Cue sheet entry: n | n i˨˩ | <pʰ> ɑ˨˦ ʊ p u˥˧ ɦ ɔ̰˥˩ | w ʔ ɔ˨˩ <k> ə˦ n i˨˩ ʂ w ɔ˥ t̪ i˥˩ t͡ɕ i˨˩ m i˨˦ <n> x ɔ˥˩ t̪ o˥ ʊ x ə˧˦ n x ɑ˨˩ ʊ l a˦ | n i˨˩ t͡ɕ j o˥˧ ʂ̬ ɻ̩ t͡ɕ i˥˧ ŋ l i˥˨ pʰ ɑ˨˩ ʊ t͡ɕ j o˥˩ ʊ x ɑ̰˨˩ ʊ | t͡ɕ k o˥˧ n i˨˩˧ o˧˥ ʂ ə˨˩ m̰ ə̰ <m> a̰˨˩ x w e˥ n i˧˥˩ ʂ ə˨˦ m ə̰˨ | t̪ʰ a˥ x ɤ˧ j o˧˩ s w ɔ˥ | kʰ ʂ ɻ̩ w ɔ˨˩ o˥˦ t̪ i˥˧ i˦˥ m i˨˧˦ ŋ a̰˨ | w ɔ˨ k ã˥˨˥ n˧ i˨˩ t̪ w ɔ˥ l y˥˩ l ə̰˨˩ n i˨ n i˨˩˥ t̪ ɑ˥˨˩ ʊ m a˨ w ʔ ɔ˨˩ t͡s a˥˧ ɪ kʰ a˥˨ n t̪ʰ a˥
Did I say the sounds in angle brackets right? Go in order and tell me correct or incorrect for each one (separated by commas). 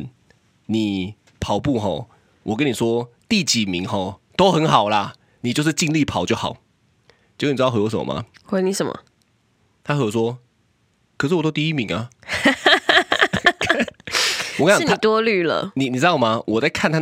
correct, correct, incorrect, correct